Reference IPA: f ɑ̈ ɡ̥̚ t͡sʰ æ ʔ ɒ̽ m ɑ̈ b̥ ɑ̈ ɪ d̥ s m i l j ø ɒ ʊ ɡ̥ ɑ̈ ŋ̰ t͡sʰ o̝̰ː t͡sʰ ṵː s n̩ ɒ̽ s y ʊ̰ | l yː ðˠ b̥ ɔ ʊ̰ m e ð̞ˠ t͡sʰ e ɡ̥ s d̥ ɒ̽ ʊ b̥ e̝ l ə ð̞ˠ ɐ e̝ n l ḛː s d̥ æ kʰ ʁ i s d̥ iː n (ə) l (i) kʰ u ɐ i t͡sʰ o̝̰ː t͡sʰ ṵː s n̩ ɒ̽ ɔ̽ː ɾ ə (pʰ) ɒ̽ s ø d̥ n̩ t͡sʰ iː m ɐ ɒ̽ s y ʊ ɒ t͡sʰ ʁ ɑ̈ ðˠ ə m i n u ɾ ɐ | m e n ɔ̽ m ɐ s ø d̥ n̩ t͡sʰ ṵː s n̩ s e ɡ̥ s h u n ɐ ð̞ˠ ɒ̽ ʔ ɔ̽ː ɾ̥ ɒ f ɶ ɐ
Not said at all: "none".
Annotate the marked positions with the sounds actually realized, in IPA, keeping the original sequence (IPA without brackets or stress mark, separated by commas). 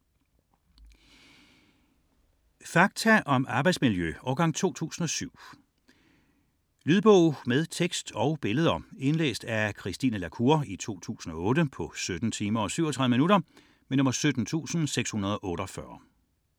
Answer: ə, æ, pʰ